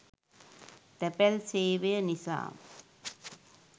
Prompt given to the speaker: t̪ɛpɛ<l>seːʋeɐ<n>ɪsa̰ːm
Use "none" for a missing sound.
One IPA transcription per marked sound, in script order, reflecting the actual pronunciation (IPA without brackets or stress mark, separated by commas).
l, n